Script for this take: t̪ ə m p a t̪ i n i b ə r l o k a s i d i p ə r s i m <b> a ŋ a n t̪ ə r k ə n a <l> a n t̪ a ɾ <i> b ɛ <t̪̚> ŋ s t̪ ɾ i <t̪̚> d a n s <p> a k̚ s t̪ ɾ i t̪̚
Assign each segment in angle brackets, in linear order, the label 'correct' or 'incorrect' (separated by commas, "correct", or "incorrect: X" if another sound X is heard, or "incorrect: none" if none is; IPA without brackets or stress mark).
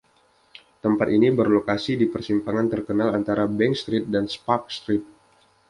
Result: incorrect: p, correct, incorrect: a, incorrect: none, correct, correct